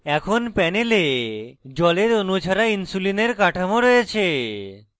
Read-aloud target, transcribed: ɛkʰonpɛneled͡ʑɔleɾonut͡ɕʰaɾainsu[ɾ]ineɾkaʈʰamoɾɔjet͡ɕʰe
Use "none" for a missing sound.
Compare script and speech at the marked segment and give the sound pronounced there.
l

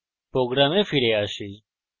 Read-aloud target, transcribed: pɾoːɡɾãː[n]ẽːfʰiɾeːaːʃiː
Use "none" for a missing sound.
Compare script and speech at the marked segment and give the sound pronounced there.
m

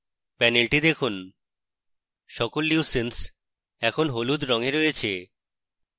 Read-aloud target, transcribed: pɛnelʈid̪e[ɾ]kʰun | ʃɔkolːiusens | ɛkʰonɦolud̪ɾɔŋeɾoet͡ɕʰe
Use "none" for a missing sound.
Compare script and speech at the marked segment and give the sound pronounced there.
none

